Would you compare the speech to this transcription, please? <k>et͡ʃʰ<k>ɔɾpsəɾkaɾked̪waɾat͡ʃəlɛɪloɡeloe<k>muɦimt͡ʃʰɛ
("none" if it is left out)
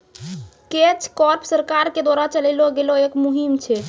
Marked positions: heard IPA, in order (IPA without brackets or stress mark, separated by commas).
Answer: k, k, k